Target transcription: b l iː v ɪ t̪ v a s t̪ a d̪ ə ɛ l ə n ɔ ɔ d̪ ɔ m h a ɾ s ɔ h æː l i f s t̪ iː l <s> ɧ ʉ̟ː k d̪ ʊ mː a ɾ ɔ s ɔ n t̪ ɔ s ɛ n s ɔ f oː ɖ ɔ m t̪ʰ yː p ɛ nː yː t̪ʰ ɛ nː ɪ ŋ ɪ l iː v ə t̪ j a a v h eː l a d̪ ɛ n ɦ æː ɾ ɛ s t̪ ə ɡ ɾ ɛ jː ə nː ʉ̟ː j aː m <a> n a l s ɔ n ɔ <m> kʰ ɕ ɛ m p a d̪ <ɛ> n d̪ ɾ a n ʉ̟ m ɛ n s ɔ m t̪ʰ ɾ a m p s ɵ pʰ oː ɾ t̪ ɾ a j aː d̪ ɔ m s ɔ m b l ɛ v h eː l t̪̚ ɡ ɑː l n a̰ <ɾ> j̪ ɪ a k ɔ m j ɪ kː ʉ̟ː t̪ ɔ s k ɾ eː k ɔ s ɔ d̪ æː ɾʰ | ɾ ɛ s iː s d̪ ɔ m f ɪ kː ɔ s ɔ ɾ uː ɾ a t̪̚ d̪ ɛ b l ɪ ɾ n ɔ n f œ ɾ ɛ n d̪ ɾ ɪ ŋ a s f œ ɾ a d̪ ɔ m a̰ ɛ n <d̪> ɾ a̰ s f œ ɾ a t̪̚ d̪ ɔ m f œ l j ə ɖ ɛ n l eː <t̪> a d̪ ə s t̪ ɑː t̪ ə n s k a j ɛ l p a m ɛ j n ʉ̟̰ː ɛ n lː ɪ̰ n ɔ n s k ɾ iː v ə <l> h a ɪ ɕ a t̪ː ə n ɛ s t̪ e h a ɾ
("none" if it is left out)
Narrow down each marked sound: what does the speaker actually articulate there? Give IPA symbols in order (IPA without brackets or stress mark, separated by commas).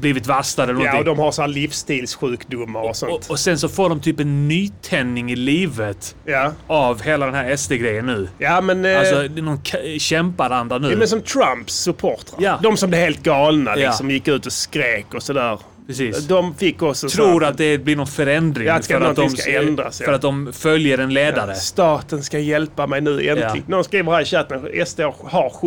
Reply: s, ɛ, n, a, l, d̪, d̪, ɾ